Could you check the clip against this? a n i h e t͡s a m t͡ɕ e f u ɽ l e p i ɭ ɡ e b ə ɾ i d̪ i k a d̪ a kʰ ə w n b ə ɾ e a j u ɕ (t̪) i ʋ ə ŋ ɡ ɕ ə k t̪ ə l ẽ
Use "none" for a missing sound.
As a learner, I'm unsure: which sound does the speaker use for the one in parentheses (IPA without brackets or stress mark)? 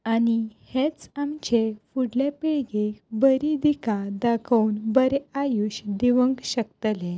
d̪